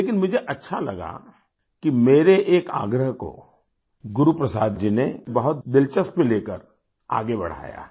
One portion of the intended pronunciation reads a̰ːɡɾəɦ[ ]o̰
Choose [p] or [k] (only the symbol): k